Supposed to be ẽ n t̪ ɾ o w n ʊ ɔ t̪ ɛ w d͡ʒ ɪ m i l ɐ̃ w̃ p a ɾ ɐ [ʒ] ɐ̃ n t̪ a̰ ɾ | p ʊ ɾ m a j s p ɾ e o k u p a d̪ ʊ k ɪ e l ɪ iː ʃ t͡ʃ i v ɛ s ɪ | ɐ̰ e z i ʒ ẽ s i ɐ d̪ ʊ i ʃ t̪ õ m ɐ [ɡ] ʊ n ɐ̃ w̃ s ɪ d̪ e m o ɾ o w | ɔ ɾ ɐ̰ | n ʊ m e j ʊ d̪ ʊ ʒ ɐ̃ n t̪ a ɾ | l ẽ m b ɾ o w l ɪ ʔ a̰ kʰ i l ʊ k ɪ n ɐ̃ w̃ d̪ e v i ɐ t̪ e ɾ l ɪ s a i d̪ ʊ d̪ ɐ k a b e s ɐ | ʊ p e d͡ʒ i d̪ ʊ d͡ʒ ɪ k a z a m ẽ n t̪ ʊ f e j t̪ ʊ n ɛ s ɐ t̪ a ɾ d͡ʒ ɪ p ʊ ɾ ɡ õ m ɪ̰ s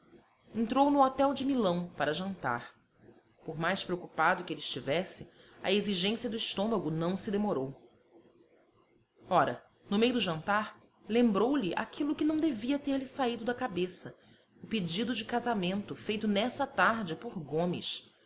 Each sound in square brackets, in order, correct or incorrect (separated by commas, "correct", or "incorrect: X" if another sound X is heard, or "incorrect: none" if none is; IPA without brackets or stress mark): correct, correct